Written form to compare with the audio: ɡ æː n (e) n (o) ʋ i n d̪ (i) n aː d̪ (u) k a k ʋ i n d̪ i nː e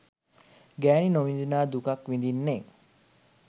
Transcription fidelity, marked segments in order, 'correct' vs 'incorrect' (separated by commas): incorrect, correct, correct, correct